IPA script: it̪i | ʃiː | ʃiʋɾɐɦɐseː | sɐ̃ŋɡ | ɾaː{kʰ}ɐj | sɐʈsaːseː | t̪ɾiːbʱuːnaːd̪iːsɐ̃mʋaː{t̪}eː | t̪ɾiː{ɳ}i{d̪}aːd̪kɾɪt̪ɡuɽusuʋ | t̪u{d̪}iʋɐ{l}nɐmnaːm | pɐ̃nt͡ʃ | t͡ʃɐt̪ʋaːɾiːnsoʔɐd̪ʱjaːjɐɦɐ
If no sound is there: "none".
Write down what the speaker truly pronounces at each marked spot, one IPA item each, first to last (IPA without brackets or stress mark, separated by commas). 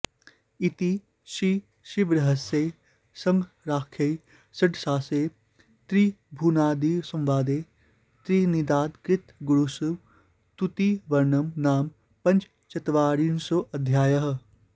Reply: kʰ, d̪, n, d̪, t̪, ɾ